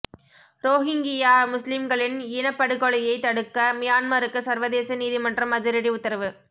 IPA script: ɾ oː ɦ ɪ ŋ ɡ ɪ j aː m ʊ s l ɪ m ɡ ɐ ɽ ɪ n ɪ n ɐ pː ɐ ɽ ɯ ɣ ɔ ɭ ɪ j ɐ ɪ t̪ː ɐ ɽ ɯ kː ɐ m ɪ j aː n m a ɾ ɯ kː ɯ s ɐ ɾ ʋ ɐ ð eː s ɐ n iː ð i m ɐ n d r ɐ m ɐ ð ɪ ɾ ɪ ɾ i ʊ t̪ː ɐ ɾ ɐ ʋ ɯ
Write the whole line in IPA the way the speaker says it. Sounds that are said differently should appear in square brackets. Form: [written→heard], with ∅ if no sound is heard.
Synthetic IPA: ɾ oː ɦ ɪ ŋ ɡ ɪ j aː m ʊ s l ɪ m ɡ ɐ [ɽ→ɭ] ɪ n ɪ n ɐ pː ɐ ɽ ɯ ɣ ɔ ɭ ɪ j ɐ ɪ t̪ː ɐ ɽ ɯ kː ɐ m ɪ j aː n m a ɾ ɯ kː ɯ s ɐ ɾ ʋ ɐ ð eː s ɐ n iː ð i m ɐ n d r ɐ m ɐ ð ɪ ɾ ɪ [ɾ→ɽ] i ʊ t̪ː ɐ ɾ ɐ ʋ ɯ

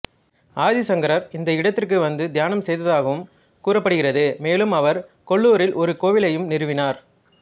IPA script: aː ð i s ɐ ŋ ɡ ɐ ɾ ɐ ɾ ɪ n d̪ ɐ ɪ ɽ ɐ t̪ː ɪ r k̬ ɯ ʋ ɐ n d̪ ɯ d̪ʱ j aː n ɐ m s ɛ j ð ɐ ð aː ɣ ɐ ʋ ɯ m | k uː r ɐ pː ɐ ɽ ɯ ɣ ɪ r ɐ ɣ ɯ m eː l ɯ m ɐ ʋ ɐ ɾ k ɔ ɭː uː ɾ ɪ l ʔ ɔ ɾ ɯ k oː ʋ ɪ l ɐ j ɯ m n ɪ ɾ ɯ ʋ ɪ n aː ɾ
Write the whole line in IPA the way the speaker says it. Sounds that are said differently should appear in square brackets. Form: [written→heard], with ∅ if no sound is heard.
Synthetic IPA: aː ð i s ɐ ŋ ɡ ɐ ɾ ɐ ɾ ɪ n d̪ ɐ ɪ ɽ ɐ t̪ː ɪ r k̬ ɯ ʋ ɐ n d̪ ɯ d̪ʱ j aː n ɐ m s ɛ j ð ɐ ð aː ɣ ɐ ʋ ɯ m | k uː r ɐ pː ɐ ɽ ɯ ɣ ɪ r ɐ [ɣ→ð] ɯ m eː l ɯ m ɐ ʋ ɐ ɾ k ɔ ɭː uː ɾ ɪ l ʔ ɔ ɾ ɯ k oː ʋ ɪ l ɐ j ɯ m n ɪ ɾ ɯ ʋ ɪ n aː ɾ

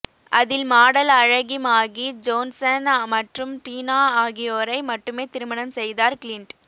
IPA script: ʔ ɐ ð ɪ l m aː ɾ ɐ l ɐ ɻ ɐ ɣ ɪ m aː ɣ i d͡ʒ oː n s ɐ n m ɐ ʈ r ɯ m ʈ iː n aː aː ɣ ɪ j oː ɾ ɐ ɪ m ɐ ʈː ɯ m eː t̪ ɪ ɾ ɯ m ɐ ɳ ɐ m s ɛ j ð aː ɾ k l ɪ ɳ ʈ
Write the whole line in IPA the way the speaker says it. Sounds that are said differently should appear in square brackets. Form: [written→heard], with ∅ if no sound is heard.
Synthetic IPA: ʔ ɐ ð ɪ l m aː [ɾ→ɽ] ɐ l ɐ ɻ ɐ ɣ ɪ m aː ɣ i d͡ʒ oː n s ɐ n m ɐ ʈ r ɯ m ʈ iː n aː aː ɣ ɪ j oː ɾ ɐ ɪ m ɐ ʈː ɯ m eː t̪ ɪ ɾ ɯ m ɐ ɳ ɐ m s ɛ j ð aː ɾ k l ɪ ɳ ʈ

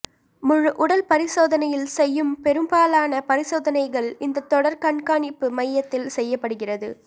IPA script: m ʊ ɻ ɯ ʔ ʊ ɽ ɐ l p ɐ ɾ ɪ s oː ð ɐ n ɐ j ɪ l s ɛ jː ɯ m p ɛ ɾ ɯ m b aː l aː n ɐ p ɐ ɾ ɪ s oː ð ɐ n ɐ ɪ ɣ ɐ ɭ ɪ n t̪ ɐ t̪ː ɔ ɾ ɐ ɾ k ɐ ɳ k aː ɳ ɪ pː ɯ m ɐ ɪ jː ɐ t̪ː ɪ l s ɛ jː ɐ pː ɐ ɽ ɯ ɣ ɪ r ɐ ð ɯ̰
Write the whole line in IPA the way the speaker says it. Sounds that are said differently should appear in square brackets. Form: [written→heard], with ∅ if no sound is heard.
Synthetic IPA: m ʊ ɻ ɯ ʔ ʊ ɽ ɐ l p ɐ ɾ ɪ s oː ð ɐ n ɐ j ɪ l s ɛ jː ɯ m p ɛ ɾ ɯ m b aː l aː n ɐ p ɐ ɾ ɪ s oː ð ɐ n ɐ ɪ ɣ ɐ ɭ ɪ n [t̪→d̪] ɐ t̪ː ɔ [ɾ→ɽ] ɐ ɾ k ɐ ɳ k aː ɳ ɪ pː ɯ m ɐ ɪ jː ɐ t̪ː ɪ l s ɛ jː ɐ pː ɐ ɽ ɯ ɣ ɪ r ɐ ð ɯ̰

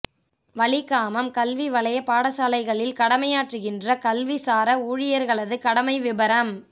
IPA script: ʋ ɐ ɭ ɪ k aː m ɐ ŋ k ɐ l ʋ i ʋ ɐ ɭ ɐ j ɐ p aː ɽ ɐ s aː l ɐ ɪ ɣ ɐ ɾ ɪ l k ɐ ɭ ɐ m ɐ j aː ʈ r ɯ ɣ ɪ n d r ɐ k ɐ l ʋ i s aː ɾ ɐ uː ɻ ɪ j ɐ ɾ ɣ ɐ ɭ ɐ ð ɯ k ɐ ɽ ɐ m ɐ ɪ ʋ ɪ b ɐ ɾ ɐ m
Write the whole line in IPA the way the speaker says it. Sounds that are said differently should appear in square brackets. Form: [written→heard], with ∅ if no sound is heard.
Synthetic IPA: ʋ ɐ ɭ ɪ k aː m ɐ [ŋ→m] k ɐ l ʋ i ʋ ɐ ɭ ɐ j ɐ p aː ɽ ɐ s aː l ɐ ɪ ɣ ɐ [ɾ→ɭ] ɪ l k ɐ [ɭ→ɽ] ɐ m ɐ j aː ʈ r ɯ ɣ ɪ n d r ɐ k ɐ l ʋ i s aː ɾ ɐ uː ɻ ɪ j ɐ ɾ ɣ ɐ ɭ ɐ ð ɯ k ɐ ɽ ɐ m ɐ ɪ ʋ ɪ b ɐ ɾ ɐ m

